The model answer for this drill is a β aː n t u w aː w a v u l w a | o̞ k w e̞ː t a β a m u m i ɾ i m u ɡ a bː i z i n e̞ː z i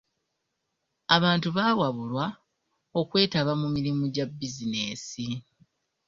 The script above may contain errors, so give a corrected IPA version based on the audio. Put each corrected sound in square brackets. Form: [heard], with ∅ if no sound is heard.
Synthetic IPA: a β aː n t u [β] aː w a [β] u l w a | o̞ k w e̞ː t a β a m u m i ɾ i m u [ɟ] a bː i z i n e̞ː [s] i

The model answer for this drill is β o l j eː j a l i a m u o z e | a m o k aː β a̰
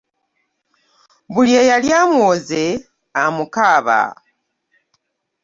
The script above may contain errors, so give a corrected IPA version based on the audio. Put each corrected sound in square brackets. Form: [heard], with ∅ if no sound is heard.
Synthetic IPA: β [u] l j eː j a l [j] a m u o z e | a m [u] k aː β a̰

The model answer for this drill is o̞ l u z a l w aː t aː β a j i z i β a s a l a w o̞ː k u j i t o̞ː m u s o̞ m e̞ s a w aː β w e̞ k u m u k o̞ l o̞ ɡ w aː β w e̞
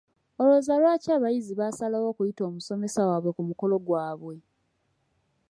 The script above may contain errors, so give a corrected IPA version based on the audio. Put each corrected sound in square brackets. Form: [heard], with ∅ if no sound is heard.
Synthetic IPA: o̞ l [o] z a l w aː [c] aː β a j i z i β a s a l a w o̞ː k u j i t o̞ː m u s o̞ m e̞ s a w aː β w e̞ k u m u k o̞ l o̞ ɡ w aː β w e̞

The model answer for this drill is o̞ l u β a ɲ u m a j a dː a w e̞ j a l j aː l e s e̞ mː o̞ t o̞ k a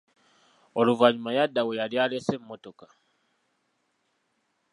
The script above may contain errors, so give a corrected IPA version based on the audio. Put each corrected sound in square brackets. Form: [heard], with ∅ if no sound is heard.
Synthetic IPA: o̞ l u [v] a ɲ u m a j a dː a w e̞ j a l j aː l e s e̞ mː o̞ t o̞ k a

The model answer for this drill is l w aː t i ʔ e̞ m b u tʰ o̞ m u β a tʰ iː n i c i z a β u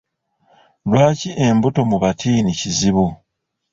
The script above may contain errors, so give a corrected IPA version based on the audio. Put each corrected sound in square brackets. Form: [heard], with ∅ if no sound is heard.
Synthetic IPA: l w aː [c] i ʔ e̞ m b u [t] o̞ m u β a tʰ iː n i c i z [i] β u

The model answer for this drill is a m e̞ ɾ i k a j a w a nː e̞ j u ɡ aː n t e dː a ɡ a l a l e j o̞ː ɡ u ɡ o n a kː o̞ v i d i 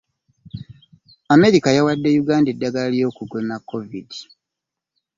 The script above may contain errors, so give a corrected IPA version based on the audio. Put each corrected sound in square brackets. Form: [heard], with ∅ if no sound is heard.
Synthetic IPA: a m e̞ ɾ i k a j a w a [dː] e̞ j u ɡ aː n [d] e dː a ɡ a l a l [i] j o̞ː [k] u ɡ o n a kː o̞ v i d i

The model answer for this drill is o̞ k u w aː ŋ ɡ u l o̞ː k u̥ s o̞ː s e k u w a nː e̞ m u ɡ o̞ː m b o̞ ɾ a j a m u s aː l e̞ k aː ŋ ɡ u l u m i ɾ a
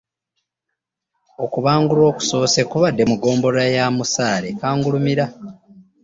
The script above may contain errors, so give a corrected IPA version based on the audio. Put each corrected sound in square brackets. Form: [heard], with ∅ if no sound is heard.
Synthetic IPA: o̞ k u [β] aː ŋ ɡ u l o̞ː k u̥ s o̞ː s e k u [β] a [dː] e̞ m u ɡ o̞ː m b o̞ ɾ a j a m u s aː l e̞ k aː ŋ ɡ u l u m i ɾ a

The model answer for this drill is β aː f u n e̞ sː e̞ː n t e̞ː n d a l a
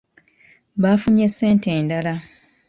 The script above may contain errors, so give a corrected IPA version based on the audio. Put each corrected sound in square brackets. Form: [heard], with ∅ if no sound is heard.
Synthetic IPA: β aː f u [ɲ] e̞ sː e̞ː n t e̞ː n d a l a

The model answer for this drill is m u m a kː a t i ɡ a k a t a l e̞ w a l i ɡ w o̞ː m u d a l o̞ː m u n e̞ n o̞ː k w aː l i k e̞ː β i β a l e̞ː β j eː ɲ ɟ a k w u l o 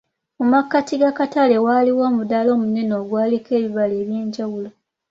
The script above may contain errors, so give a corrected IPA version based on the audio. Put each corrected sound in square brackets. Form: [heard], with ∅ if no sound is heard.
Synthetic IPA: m u m a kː a t i ɡ a k a t a l e̞ w a l i [∅] w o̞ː m u d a l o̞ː m u n e̞ n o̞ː [ɡ] w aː l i k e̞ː β i β a l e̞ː β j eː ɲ ɟ a [∅] w u l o

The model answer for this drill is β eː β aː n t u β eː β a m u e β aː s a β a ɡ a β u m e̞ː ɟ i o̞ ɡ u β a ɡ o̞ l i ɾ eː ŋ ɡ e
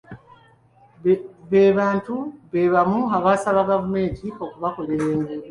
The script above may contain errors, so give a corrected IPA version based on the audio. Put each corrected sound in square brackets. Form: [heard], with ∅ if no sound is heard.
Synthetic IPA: β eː β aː n t u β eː β a m u [a] β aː s a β a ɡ a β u m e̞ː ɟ i o̞ [k] u β a [k] o̞ l [e] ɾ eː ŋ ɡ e

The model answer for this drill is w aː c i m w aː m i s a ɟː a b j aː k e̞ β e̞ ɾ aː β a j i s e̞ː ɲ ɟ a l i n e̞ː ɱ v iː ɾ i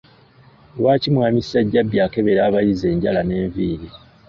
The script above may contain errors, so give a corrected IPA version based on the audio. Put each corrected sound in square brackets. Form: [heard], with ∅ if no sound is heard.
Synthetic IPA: w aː c i m w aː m i s a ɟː a b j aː k e̞ β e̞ ɾ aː β a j i [z] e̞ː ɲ ɟ a l [a] n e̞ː ɱ v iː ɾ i

